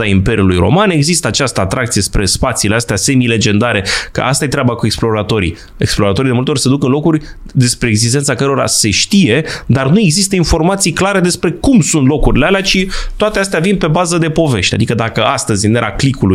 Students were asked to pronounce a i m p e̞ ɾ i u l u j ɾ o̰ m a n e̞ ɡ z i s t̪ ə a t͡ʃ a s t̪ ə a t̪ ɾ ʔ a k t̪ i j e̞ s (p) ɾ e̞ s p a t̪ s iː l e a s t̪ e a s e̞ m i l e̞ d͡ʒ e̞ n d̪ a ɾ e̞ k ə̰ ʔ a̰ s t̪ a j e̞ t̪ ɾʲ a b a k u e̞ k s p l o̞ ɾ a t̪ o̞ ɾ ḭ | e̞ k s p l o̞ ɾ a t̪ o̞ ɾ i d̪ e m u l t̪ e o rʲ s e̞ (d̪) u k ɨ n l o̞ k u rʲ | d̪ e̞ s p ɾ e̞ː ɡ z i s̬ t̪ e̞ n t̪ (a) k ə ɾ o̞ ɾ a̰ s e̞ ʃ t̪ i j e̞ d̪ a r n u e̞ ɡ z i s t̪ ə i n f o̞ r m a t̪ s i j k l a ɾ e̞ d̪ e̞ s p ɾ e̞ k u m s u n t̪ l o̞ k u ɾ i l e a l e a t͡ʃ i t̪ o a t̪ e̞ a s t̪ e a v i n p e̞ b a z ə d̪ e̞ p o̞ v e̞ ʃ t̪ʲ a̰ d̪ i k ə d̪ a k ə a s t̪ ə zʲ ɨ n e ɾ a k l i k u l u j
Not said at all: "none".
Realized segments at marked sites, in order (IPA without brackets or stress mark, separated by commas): p, d̪, a